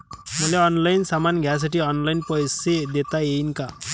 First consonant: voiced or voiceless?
voiced